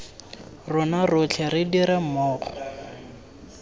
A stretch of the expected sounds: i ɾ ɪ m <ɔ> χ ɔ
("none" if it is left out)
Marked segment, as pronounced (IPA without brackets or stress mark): ɔː